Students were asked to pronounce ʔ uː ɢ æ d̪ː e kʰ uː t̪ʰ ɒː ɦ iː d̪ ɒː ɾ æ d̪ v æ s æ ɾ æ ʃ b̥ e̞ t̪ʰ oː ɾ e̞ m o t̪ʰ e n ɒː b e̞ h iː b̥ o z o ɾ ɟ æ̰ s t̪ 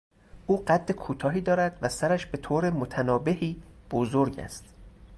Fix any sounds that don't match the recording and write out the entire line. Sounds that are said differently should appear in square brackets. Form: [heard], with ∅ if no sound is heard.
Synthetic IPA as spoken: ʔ uː ɢ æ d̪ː e kʰ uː t̪ʰ ɒː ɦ iː d̪ ɒː ɾ æ d̪ v æ s æ ɾ æ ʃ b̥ e̞ t̪ʰ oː ɾ e̞ m o t̪ʰ [æ] n ɒː b e̞ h iː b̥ o z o ɾ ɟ æ̰ s t̪